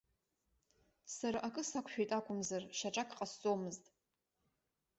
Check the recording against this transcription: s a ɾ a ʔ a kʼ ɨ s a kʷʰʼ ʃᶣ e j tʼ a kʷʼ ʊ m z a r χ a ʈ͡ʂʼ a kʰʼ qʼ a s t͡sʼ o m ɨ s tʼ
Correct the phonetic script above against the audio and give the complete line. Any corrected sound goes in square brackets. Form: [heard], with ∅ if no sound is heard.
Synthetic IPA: s a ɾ a ʔ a kʼ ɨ s a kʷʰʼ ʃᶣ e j tʼ a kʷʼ ʊ m z a r [ʃ] a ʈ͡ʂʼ a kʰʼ qʼ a s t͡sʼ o m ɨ [z] tʼ